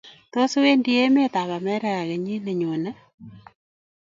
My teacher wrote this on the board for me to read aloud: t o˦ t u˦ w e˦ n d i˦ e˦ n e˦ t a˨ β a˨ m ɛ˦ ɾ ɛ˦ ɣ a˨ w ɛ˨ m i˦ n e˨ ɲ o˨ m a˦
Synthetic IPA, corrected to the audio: t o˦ s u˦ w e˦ n d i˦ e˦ m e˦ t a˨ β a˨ m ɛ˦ ɾ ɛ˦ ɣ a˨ ɣ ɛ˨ ɲ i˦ n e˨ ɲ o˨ n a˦